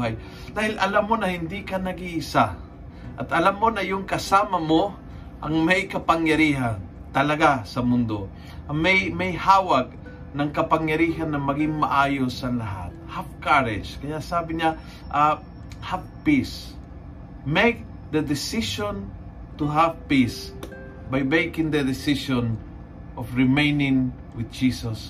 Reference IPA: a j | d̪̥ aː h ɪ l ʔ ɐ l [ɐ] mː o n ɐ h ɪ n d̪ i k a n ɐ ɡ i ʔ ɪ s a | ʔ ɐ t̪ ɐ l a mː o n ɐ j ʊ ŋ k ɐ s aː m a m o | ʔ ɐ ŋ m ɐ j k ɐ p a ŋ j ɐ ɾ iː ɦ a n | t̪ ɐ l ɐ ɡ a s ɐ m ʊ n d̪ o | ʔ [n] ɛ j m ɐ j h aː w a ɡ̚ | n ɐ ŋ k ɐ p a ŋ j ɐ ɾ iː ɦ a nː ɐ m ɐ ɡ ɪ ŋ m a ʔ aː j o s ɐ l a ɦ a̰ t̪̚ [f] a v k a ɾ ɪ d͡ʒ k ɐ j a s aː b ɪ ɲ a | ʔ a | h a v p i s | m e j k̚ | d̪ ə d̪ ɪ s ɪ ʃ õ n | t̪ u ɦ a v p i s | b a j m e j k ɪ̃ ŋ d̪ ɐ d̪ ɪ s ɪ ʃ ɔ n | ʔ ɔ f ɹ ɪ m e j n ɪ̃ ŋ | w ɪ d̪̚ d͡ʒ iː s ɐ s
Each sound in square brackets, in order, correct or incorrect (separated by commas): incorrect, incorrect, incorrect